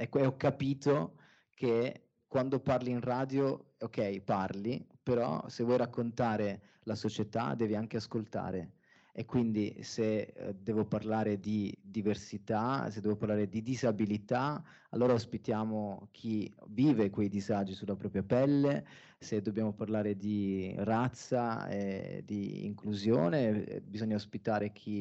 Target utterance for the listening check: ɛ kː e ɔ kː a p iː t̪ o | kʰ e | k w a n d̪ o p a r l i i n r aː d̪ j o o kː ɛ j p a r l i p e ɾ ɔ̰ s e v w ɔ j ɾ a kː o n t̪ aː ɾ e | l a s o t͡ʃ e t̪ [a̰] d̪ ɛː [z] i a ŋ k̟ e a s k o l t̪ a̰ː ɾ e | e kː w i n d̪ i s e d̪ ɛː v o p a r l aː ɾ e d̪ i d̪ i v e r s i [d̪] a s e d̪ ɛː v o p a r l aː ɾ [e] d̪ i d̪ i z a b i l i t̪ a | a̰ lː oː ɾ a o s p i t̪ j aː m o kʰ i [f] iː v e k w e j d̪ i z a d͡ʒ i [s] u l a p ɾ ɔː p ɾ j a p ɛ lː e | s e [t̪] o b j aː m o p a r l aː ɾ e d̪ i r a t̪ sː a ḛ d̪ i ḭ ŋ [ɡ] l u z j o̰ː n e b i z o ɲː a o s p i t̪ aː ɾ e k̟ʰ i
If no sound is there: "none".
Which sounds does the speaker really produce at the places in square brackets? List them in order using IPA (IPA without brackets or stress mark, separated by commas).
a̰, v, t̪, e, v, s, d̪, k